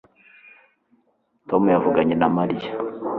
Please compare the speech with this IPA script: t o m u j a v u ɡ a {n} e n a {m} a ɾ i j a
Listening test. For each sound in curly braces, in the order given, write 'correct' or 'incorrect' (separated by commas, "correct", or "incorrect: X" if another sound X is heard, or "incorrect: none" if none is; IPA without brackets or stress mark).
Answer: incorrect: ɲ, correct